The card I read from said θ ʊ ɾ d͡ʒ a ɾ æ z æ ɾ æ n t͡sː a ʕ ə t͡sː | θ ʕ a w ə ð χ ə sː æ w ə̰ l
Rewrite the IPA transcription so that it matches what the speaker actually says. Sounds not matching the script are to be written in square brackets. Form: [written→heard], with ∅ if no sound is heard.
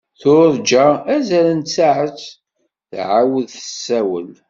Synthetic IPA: θ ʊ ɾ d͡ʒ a [ɾ→∅] æ z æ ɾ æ n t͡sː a ʕ ə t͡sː | θ ʕ a w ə ð [χ→θ] ə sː æ w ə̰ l